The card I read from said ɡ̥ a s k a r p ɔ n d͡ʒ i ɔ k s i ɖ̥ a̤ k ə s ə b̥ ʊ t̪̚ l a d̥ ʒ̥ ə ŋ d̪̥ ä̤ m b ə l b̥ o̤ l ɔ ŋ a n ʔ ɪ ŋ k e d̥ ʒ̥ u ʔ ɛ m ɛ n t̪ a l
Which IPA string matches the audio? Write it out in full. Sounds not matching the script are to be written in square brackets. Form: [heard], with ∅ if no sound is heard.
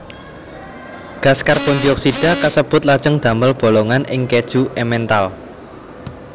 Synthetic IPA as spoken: ɡ̥ a s k a r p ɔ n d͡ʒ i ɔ k s i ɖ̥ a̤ k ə s ə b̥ ʊ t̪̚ l a d̥ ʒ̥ ə ŋ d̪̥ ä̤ m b ə l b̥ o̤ l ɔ ŋ a n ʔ ɪ ŋ k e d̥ ʒ̥ u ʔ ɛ m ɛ n t̪ a l